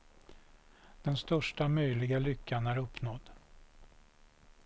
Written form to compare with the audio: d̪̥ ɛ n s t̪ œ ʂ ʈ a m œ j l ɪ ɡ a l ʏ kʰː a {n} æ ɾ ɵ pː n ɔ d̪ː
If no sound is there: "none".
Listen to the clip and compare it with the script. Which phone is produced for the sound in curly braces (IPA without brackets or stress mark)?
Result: n